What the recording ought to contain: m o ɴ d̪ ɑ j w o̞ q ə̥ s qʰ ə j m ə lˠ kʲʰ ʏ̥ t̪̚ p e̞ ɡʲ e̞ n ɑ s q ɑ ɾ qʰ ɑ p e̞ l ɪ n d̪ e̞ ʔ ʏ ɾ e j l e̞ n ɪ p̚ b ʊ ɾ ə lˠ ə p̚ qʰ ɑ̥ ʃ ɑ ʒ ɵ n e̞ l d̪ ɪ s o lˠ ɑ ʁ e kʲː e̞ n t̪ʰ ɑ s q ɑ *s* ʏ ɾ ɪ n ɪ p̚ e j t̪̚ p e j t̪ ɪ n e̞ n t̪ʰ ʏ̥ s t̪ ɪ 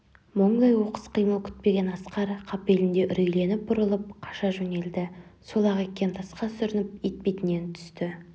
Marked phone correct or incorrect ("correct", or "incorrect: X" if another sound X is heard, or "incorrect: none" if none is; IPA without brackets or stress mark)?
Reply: correct